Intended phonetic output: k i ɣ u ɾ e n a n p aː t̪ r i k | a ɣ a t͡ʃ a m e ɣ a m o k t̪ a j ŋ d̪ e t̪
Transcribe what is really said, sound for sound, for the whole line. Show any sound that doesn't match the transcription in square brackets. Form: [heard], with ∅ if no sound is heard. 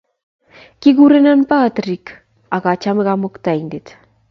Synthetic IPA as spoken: k i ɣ u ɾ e n a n p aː t̪ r i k | a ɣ a t͡ʃ a m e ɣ a m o k t̪ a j [n] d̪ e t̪